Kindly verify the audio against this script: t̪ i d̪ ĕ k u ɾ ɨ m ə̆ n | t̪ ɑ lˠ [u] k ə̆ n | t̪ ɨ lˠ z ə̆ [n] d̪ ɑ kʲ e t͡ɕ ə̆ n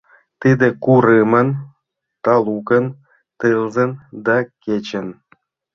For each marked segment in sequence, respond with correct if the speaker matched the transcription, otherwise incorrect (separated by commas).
correct, correct